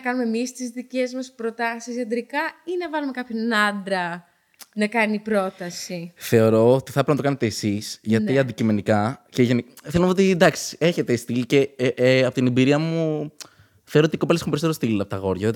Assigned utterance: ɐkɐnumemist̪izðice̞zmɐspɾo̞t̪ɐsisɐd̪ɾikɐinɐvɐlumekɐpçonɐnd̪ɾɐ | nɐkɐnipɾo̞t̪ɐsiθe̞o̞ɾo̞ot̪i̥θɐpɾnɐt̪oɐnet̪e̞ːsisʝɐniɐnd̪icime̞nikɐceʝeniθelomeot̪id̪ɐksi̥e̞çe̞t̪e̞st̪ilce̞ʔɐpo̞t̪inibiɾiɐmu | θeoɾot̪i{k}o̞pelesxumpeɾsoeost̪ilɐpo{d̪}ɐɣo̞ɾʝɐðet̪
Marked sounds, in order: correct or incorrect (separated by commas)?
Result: correct, incorrect